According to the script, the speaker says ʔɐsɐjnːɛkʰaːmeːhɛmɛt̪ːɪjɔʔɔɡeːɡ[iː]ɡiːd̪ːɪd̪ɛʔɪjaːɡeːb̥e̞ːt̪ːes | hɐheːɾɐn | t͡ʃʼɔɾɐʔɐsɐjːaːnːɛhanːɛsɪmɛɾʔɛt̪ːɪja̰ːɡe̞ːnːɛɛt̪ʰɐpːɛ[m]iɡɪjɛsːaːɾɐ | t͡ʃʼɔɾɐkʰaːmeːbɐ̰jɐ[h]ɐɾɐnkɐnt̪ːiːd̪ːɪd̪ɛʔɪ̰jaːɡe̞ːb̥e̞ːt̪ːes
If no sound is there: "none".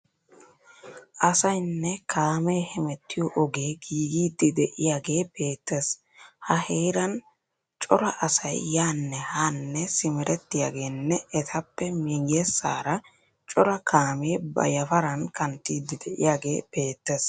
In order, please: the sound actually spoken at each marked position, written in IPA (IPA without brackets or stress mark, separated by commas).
iː, m, f